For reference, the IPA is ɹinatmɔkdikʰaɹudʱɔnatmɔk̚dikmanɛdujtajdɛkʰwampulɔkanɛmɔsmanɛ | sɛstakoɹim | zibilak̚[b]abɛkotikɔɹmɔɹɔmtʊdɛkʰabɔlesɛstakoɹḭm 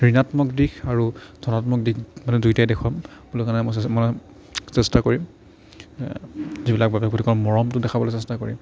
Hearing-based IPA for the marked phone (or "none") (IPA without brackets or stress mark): b